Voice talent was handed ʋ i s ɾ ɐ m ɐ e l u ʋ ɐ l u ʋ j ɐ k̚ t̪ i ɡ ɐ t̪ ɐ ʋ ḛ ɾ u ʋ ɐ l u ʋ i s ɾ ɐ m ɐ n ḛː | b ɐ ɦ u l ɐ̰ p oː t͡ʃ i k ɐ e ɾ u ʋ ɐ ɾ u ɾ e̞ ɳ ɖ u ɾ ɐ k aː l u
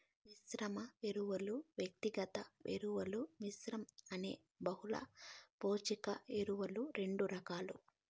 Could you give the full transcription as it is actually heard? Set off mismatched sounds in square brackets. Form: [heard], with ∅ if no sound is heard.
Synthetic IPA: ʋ i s ɾ ɐ m ɐ e [ɾ] u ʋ ɐ l u ʋ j ɐ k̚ t̪ i ɡ ɐ t̪ ɐ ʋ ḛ ɾ u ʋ ɐ l u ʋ i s ɾ ɐ m ɐ n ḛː | b ɐ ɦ u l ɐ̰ p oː t͡ʃ i k ɐ e ɾ u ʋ ɐ [l] u ɾ e̞ ɳ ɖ u ɾ ɐ k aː l u